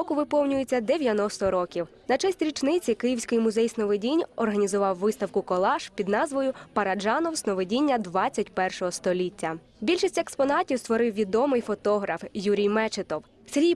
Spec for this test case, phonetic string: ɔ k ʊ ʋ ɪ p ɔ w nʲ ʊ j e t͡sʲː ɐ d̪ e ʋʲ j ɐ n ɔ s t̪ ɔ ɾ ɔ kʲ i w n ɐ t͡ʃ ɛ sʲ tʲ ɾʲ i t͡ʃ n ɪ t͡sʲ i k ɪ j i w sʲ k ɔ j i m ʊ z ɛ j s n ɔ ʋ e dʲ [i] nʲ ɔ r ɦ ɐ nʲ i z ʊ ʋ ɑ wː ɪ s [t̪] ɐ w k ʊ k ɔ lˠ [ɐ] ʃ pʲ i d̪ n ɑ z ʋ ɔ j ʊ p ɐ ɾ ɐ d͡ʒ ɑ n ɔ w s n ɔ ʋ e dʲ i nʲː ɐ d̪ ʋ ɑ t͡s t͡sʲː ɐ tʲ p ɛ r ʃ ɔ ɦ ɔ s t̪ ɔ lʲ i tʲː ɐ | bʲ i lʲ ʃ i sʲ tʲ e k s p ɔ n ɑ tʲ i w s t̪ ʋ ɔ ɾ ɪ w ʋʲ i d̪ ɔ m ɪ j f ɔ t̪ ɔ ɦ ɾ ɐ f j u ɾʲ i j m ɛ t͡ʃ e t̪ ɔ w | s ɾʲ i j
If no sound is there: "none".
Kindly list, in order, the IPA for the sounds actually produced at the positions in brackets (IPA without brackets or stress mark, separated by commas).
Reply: i, t̪, ɑ